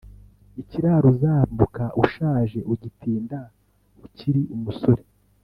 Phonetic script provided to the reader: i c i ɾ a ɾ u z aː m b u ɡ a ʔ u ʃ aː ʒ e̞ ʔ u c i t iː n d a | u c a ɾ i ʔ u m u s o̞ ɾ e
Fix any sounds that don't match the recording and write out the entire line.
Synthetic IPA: i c i ɾ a ɾ u z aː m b u k a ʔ u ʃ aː ʒ e̞ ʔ u ɟ i t iː n d a | u c i ɾ i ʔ u m u s o̞ ɾ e